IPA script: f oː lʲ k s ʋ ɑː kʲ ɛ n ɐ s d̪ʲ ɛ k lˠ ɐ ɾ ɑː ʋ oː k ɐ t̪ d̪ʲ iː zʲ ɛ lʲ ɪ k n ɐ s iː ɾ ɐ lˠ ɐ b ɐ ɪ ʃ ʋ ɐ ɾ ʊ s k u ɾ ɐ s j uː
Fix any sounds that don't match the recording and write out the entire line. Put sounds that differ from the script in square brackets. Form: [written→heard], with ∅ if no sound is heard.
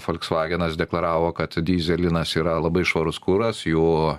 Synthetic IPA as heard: f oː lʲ k s ʋ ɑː [kʲ→ɡʲ] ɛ n ɐ s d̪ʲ ɛ k lˠ ɐ ɾ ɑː ʋ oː k ɐ t̪ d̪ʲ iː zʲ ɛ lʲ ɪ [k→∅] n ɐ s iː ɾ ɐ lˠ ɐ b ɐ ɪ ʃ ʋ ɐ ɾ ʊ s k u ɾ ɐ s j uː